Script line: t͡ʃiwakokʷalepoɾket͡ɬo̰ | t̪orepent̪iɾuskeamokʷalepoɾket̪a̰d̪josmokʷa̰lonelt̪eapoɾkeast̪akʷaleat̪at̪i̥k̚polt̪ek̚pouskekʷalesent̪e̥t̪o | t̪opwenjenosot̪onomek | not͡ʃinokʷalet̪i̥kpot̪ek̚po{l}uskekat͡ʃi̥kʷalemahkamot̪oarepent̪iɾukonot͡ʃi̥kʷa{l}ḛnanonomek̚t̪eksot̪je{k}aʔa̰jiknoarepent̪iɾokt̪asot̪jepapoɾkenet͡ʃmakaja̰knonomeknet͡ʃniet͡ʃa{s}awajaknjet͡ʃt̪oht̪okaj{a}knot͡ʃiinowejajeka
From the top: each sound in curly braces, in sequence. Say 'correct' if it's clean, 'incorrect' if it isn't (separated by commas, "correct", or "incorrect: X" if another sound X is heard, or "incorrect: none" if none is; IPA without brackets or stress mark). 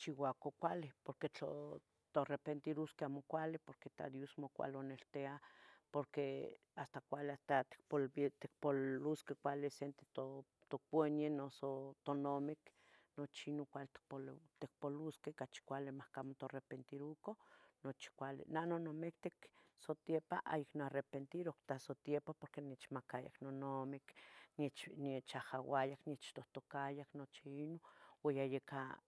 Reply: correct, correct, incorrect: p, incorrect: h, correct